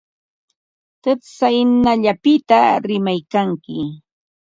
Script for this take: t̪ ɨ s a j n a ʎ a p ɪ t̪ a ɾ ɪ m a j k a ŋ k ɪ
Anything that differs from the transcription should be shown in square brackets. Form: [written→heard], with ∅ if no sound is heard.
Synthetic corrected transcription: t̪ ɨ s a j n a ʎ a p ɪ t̪ a ɾ ɪ m a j k a ŋ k ɪ